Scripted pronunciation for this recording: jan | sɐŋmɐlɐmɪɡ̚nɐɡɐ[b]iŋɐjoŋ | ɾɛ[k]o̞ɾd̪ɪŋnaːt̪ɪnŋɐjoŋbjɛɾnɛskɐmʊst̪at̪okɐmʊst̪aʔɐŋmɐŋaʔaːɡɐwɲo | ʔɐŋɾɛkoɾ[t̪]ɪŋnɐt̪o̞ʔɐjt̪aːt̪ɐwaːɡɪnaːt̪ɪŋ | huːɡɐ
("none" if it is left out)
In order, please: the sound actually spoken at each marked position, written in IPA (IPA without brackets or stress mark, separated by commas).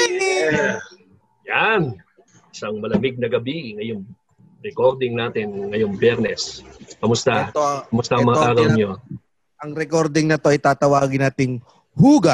b, k, d̪